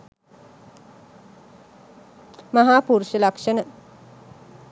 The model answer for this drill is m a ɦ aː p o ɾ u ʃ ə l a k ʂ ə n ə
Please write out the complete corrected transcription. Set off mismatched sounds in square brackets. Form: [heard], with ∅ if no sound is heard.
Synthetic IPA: m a ɦ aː p [u] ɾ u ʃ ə l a k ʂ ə n ə